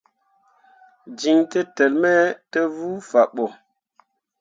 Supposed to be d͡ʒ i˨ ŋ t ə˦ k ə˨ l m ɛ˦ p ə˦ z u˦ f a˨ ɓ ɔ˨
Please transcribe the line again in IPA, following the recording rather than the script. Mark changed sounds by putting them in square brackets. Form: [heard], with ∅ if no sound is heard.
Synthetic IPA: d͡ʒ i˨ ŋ t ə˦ [t] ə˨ l m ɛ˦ [t] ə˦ [v] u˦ f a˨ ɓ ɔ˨